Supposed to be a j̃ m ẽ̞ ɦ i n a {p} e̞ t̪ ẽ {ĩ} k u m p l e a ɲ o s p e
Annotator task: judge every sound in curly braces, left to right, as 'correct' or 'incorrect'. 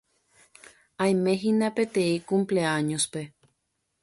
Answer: correct, incorrect: i

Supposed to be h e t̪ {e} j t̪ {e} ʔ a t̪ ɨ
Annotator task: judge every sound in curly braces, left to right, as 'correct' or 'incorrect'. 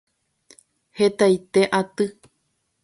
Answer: incorrect: a, correct

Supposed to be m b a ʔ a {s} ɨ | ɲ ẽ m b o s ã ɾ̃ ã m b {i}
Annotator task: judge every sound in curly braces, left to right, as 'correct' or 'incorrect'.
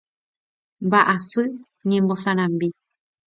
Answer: correct, correct

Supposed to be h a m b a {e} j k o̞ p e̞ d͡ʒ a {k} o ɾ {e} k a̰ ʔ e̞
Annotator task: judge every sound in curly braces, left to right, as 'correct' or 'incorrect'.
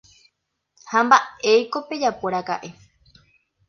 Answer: correct, incorrect: p, incorrect: a

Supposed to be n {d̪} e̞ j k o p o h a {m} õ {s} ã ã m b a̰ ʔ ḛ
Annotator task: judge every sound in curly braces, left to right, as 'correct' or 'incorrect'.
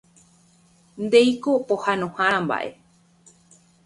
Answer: correct, incorrect: n, incorrect: h

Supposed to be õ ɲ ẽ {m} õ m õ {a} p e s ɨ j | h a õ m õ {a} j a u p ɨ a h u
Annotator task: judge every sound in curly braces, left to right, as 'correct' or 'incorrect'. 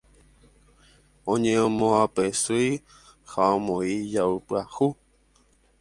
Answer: incorrect: none, correct, incorrect: i

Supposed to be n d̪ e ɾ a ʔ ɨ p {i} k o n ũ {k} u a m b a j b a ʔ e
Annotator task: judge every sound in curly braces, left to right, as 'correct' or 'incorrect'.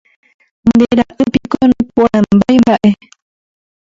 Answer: correct, incorrect: p

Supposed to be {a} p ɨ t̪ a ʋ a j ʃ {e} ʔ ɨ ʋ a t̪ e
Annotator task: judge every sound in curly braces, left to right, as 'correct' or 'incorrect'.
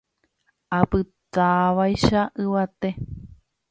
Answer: correct, incorrect: a

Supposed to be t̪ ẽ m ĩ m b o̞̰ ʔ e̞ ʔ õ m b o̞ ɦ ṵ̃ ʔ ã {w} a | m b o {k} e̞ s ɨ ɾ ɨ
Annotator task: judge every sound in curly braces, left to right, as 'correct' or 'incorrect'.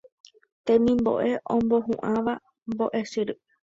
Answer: incorrect: ʋ, incorrect: ʔ

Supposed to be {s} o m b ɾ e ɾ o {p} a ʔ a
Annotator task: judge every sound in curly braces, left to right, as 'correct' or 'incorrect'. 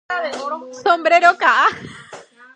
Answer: correct, incorrect: k

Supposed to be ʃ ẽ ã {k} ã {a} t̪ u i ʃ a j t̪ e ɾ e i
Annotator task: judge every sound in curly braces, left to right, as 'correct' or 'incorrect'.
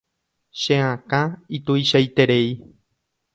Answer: correct, incorrect: i

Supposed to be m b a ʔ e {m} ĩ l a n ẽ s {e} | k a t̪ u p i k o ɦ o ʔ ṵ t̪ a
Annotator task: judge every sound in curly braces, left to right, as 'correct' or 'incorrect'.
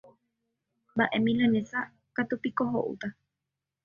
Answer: correct, incorrect: a

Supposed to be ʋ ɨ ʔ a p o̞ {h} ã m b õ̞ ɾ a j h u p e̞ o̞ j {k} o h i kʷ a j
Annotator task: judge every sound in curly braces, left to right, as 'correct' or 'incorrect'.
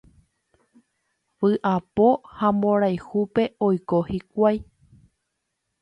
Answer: correct, correct

